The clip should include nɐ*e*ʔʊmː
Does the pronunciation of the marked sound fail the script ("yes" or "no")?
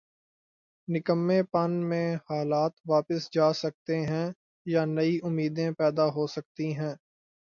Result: yes